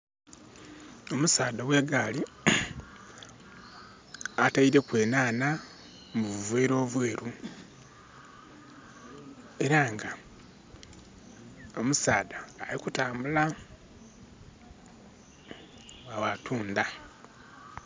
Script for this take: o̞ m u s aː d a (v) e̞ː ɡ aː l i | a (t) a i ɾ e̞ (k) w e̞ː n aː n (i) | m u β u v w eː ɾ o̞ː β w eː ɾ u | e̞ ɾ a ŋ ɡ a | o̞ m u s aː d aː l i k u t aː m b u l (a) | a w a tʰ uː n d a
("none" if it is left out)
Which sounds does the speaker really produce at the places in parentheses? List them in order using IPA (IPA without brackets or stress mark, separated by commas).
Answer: w, t, k, a, a